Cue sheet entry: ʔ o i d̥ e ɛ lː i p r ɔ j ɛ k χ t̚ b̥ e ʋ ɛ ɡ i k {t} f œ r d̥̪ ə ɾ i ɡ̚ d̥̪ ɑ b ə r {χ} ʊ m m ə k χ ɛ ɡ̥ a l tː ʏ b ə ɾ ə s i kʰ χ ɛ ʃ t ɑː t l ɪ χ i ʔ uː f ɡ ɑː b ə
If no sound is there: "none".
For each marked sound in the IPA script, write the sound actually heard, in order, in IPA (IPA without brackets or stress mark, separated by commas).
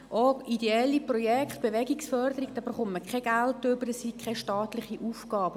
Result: s, χ